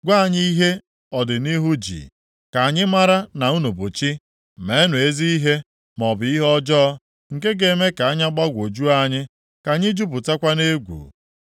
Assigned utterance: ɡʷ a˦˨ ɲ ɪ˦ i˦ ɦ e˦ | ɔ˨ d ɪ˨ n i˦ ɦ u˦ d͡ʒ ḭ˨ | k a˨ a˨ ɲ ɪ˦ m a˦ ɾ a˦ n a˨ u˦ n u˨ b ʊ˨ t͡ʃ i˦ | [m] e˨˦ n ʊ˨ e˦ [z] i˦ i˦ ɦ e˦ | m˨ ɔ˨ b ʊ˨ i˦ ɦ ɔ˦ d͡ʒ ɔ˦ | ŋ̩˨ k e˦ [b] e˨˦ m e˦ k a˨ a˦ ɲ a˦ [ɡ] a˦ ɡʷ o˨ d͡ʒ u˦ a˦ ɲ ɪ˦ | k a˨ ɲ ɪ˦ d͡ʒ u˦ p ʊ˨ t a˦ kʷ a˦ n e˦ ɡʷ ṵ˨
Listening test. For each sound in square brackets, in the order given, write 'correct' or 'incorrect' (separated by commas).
correct, correct, incorrect, incorrect